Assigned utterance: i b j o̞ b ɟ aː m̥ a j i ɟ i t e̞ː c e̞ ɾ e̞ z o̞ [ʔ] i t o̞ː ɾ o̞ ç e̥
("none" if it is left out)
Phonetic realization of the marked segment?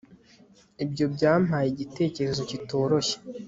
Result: c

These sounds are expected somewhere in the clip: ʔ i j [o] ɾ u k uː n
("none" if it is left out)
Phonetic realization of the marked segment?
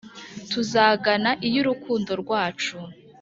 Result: u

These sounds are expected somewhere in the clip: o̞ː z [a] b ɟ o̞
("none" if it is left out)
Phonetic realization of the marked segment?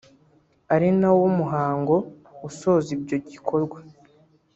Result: i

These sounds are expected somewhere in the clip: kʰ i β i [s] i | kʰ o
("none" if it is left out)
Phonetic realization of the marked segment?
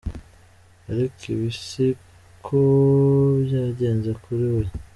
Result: s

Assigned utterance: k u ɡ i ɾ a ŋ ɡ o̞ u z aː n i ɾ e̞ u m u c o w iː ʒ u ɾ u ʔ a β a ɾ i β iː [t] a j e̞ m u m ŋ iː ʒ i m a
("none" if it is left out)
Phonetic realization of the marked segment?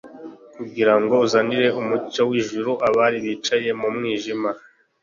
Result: t͡ʃ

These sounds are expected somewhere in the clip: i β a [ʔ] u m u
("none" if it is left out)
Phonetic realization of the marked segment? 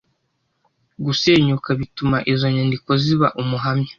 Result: ʔ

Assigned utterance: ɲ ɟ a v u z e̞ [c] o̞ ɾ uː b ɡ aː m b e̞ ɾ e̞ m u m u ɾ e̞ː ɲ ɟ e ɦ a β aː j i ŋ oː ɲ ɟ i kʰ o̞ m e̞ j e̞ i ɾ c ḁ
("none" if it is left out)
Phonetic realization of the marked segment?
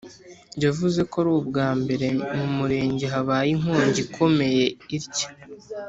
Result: k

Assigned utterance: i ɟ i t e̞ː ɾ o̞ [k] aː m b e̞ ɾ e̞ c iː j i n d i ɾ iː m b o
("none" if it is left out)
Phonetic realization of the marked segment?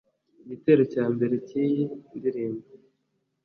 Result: c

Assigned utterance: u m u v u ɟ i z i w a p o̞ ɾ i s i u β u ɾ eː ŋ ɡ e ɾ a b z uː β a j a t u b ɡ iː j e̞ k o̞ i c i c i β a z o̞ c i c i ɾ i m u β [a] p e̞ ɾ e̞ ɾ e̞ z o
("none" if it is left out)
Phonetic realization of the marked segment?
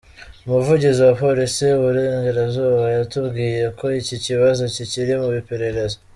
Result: i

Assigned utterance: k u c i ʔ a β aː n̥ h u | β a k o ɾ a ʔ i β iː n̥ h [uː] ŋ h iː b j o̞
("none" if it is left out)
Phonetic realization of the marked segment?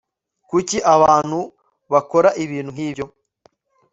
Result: u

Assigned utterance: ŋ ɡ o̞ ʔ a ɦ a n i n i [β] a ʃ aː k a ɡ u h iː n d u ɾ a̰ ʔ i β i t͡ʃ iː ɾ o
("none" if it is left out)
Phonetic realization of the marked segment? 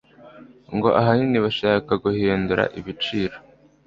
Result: β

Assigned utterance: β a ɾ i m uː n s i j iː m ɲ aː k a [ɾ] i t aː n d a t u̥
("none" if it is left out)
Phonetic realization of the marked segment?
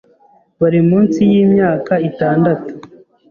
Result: none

